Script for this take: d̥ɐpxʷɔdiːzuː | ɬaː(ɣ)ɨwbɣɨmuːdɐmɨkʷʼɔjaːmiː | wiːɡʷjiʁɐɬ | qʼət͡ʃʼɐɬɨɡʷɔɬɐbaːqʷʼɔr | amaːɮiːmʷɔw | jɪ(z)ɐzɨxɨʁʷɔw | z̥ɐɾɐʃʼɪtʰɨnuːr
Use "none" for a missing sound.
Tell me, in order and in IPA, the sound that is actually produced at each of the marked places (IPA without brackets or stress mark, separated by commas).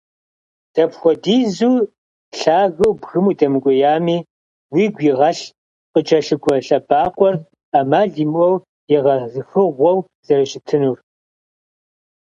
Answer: ɣ, ʁ